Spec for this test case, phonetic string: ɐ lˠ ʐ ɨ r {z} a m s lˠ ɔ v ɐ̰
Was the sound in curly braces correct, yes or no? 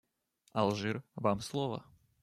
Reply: no